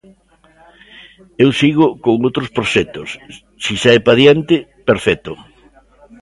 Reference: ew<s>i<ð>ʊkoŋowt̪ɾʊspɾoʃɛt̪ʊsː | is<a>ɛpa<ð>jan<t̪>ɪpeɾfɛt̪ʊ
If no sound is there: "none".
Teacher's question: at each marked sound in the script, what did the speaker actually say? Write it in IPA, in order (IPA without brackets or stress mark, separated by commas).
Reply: s, ɣ, a, ð, t̪